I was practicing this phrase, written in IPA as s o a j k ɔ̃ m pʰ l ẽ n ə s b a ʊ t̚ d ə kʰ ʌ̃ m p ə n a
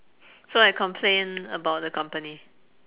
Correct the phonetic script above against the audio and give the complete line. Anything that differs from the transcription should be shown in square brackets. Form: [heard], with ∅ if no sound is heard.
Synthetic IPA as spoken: s o a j k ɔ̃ m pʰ l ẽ n ə [∅] b a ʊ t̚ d ə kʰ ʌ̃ m p ə n [i]

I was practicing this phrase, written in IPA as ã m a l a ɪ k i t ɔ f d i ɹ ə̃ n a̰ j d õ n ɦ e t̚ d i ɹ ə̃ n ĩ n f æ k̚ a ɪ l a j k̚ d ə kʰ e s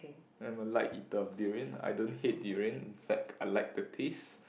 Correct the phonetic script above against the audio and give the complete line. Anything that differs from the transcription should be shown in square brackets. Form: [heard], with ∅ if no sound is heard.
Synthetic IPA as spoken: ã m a l a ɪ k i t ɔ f d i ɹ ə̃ n a̰ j d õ n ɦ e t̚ d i ɹ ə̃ n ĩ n f [ɛ] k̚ a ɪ l a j k̚ d ə [tʰ] e s

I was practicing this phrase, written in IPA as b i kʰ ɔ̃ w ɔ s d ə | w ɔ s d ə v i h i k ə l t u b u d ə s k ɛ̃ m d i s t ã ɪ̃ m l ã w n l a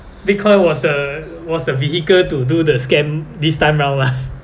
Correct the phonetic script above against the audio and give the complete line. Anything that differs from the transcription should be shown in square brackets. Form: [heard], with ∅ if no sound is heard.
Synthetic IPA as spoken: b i kʰ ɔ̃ w ɔ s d ə | w ɔ s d ə v i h i k ə l t u [d] u d ə s k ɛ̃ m d i s t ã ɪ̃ m [ɹ] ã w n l a

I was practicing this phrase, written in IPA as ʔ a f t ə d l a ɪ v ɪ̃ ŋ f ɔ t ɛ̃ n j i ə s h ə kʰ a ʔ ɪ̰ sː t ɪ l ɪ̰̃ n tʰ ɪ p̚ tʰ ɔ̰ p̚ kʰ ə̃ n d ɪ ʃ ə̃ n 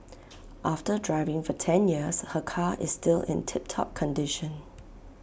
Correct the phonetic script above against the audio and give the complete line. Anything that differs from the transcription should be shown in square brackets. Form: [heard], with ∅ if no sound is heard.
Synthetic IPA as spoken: ʔ a f t ə d [ɹ] a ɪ v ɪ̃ ŋ f ɔ [tʰ] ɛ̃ n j i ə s h ə kʰ a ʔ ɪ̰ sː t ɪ l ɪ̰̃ n tʰ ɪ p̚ tʰ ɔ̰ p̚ kʰ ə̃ n d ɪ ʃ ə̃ n

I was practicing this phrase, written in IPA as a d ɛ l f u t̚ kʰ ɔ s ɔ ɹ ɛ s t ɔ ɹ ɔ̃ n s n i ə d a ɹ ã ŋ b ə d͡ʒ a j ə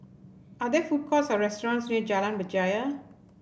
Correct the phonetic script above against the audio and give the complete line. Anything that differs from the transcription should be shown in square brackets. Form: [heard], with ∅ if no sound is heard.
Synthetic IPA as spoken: a d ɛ [∅] f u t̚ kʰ ɔ s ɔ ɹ ɛ s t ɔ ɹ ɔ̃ n s n i ə [d͡ʒ] a [l] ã [n] b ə d͡ʒ a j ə

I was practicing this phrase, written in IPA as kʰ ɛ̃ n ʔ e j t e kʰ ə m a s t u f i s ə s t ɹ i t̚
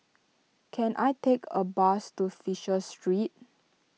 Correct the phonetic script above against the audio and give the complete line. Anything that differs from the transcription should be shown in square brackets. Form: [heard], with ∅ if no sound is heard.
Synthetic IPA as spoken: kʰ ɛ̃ n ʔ [a] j t e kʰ ə [b] a s t u f i [ʃ] ə s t ɹ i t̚

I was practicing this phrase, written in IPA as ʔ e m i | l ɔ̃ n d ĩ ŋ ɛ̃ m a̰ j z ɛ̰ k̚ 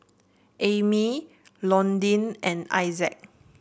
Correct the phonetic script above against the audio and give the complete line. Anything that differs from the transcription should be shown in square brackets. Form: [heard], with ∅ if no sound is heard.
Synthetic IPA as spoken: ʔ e m i | l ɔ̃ n d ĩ [n] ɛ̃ [n] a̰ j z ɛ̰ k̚

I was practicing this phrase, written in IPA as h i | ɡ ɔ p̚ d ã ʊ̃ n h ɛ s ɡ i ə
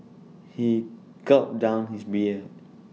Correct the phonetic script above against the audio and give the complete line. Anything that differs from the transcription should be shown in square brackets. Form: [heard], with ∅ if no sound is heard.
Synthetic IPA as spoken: h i | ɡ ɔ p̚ d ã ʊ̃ n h [i] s [b] i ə

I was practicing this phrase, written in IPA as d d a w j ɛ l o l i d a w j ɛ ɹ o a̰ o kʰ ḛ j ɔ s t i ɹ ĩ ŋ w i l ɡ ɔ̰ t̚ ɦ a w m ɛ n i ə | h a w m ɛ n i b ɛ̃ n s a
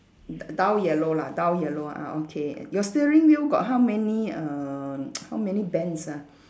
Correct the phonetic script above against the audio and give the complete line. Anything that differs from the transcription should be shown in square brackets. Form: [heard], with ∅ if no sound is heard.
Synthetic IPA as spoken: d d a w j ɛ l o l [a] d a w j ɛ [l] o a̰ o kʰ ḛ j ɔ s t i ɹ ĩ ŋ w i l ɡ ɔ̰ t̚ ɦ a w m ɛ n i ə | h a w m ɛ n i b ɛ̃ n s a

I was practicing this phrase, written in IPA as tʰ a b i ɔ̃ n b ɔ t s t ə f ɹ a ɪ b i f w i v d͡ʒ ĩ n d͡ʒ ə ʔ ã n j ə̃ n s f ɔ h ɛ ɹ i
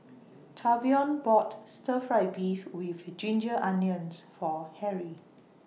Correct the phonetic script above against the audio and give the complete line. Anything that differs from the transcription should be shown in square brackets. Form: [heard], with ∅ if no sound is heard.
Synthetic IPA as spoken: tʰ a b i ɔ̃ n b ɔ t s t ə f ɹ a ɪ b i f w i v d͡ʒ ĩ n d͡ʒ ə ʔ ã n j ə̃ n s f ɔ h ɛ ɹ i

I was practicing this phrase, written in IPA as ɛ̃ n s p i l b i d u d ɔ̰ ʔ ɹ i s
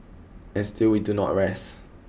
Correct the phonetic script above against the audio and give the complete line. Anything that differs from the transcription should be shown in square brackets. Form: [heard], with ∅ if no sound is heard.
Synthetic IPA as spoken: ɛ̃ n s [t] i l [w] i d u [n] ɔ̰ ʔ ɹ [ɛ] s

